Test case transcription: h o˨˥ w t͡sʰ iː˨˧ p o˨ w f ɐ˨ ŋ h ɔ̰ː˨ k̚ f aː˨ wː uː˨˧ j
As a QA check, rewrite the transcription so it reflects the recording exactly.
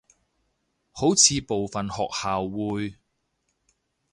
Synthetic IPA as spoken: h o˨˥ w t͡sʰ iː˨˧ p o˨ w f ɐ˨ n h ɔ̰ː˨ k̚ h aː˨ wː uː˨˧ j